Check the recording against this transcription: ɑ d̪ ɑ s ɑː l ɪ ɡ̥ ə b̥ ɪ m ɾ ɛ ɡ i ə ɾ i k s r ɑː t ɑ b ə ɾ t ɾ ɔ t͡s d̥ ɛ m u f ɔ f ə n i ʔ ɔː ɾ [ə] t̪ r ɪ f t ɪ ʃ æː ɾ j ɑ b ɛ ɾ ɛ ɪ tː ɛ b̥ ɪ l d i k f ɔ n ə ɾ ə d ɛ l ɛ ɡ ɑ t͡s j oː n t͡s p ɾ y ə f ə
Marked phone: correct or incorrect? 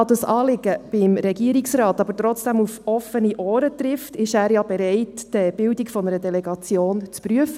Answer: correct